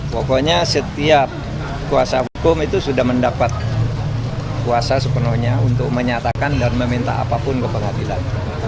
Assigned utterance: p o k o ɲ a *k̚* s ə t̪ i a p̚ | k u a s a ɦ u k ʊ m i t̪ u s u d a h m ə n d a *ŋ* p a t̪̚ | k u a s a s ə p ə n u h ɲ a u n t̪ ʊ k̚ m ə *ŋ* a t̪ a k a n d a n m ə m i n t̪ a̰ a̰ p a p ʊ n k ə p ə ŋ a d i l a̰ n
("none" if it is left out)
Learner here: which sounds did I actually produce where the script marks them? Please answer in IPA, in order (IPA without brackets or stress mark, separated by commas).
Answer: none, none, ɲ